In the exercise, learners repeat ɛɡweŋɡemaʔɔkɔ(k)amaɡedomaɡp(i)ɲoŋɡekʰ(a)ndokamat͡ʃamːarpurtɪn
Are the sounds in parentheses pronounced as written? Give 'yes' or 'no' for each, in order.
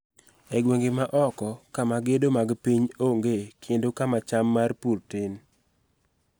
yes, yes, no

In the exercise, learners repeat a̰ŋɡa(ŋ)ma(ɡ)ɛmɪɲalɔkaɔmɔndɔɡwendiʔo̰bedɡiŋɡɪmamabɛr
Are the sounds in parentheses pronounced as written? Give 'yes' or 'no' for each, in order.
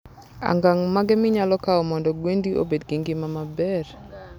yes, yes

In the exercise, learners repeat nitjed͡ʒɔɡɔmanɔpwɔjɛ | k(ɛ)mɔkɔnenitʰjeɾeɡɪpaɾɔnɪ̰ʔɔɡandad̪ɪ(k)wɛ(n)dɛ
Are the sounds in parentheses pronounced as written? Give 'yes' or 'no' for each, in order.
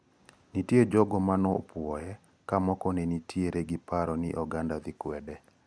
no, yes, no

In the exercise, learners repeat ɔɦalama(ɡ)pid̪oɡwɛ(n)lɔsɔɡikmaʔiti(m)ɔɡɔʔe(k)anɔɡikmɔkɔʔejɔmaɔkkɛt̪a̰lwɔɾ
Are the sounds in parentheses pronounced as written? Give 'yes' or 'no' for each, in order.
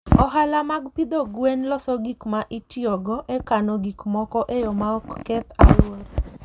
yes, yes, no, yes

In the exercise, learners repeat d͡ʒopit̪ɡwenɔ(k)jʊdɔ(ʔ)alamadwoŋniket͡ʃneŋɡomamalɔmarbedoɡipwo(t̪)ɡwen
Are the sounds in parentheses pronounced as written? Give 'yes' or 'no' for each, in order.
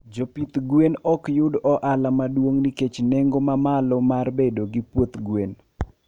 yes, yes, yes

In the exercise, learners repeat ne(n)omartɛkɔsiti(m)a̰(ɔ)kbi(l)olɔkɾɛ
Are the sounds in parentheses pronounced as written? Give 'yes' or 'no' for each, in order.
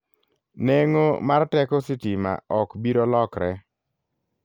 no, yes, yes, no

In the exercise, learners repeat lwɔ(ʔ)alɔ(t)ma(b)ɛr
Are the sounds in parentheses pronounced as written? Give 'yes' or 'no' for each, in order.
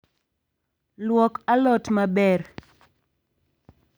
no, yes, yes

